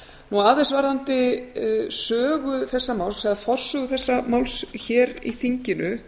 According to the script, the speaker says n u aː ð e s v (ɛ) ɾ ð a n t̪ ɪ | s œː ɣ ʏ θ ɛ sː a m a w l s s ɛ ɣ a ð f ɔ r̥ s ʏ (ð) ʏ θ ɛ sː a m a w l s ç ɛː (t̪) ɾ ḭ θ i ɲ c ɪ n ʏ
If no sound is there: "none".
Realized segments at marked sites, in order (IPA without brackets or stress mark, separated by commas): a, ɣ, none